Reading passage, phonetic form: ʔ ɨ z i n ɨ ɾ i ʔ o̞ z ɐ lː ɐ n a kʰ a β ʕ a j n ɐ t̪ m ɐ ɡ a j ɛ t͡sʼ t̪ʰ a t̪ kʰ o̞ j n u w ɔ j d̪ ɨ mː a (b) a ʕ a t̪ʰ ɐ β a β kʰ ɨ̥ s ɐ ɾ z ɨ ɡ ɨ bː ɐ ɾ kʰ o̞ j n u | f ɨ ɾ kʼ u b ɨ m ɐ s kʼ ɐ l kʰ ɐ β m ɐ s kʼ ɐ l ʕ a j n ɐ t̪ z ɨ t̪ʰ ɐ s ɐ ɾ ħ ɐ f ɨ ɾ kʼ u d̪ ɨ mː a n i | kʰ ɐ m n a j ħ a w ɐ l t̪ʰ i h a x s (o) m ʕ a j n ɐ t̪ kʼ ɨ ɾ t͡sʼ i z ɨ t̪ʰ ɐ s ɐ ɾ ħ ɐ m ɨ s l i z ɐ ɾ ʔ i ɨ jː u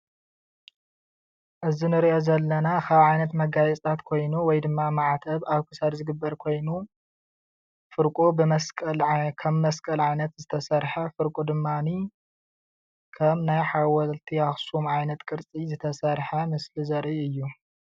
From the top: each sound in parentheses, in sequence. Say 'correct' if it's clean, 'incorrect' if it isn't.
incorrect, incorrect

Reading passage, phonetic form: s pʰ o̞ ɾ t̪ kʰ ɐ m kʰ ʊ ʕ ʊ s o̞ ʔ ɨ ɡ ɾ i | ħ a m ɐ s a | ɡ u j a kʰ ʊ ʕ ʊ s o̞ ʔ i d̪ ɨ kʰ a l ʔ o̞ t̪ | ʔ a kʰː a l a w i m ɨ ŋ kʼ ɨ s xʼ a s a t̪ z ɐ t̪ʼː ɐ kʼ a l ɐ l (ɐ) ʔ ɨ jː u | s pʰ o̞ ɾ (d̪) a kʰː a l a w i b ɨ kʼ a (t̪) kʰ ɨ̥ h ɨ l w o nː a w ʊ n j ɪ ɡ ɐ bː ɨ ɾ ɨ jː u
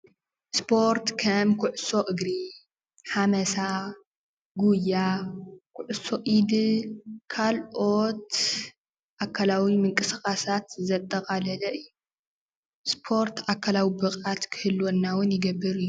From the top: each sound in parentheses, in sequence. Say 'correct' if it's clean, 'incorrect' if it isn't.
correct, incorrect, correct

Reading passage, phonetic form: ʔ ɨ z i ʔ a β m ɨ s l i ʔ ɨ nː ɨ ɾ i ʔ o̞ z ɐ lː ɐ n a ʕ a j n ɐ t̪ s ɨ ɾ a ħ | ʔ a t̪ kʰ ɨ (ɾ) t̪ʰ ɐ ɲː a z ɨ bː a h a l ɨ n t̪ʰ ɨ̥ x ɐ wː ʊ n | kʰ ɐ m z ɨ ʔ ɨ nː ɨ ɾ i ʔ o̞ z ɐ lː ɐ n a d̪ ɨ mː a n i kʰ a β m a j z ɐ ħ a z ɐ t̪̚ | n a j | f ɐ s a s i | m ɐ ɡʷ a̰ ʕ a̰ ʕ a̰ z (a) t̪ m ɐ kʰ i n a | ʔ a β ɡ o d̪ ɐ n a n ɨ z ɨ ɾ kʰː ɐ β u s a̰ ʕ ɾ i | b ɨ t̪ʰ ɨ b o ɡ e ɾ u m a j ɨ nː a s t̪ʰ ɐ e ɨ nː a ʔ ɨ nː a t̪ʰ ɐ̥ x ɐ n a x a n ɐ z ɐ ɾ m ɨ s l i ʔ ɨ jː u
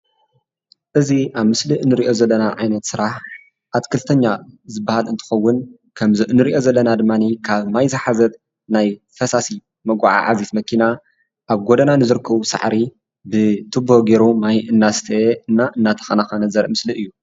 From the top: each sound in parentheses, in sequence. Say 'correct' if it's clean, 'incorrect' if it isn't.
incorrect, incorrect

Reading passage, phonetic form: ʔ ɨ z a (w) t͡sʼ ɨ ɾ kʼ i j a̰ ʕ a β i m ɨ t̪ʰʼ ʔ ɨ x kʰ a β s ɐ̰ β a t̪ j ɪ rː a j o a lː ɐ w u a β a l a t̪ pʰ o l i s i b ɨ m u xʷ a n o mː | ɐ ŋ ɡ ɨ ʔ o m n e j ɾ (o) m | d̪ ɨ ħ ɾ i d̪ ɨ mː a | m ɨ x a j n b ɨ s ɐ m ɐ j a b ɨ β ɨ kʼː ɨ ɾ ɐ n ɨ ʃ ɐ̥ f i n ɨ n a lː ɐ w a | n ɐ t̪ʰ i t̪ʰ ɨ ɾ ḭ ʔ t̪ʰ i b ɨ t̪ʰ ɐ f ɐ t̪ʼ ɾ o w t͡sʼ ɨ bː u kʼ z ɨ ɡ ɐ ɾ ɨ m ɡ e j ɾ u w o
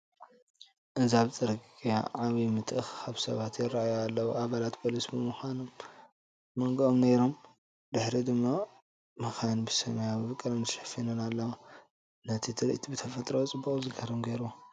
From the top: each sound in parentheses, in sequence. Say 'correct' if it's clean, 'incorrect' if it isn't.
incorrect, correct

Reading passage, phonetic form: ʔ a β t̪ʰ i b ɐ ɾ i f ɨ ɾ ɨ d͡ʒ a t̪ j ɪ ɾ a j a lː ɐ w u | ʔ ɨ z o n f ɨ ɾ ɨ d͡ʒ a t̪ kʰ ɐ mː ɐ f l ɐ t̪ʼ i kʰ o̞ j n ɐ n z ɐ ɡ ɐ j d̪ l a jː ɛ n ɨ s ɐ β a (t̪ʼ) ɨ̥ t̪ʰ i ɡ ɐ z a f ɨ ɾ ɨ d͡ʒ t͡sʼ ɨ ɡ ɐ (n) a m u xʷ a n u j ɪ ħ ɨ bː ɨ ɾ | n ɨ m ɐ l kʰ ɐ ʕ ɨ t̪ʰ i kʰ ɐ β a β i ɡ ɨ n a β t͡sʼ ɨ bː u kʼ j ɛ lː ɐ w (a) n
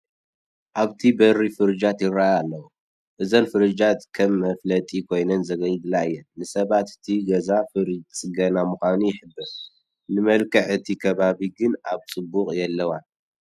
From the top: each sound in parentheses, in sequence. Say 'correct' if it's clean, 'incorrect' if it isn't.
incorrect, correct, correct

